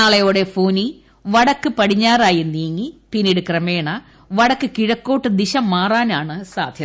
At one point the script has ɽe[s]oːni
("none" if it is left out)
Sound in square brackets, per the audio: f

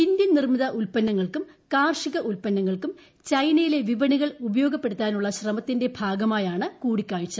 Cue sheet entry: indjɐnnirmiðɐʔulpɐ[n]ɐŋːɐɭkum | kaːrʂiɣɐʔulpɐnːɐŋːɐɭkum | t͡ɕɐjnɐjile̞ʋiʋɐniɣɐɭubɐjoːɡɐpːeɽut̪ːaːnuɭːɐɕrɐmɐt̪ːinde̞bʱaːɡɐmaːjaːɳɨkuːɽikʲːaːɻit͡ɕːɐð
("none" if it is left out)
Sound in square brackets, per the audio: nː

